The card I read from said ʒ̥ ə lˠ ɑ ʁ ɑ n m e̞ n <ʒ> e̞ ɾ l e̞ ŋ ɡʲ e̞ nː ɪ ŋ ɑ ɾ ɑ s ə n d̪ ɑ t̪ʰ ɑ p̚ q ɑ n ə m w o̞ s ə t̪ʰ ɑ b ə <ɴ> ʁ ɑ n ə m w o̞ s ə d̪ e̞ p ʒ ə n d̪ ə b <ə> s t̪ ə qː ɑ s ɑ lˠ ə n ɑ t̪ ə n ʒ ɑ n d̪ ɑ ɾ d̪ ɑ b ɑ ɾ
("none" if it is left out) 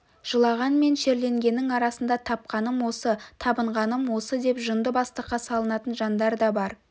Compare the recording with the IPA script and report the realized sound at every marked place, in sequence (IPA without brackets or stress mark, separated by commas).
ʃ, ɴ, ɑ